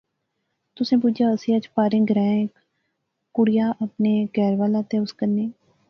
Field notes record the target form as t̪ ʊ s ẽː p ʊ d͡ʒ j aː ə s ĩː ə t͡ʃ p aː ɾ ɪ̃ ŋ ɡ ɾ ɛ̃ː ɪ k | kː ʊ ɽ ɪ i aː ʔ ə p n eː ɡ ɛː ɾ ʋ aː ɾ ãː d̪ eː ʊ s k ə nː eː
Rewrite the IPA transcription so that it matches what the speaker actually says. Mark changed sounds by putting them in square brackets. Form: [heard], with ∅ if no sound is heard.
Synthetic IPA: t̪ ʊ s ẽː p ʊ d͡ʒ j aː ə s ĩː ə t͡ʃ p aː ɾ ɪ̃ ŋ ɡ ɾ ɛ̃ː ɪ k | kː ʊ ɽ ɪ [j] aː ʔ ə p n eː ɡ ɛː ɾ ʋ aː [l] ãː [t̪] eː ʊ s k ə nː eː